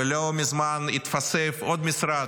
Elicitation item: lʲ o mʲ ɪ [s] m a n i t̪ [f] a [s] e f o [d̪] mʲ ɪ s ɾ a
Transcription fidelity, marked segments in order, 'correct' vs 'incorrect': incorrect: z, correct, correct, correct

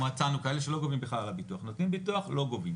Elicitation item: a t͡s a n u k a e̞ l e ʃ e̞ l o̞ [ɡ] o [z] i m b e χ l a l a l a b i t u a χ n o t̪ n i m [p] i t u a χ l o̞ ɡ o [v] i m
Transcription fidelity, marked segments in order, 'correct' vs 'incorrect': correct, incorrect: v, incorrect: b, correct

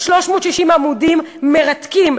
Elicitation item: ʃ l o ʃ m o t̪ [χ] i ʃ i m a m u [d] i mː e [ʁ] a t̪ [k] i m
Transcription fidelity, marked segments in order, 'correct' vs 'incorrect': incorrect: ʃ, correct, correct, correct

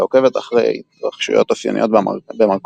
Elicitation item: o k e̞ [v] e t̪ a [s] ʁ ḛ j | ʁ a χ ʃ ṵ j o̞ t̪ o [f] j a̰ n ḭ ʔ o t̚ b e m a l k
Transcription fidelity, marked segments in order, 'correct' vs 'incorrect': correct, incorrect: χ, correct

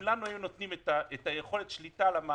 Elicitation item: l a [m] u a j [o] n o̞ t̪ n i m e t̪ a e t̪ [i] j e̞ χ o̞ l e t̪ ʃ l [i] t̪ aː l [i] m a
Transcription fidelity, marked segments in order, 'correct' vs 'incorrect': incorrect: n, incorrect: u, incorrect: a, correct, incorrect: a

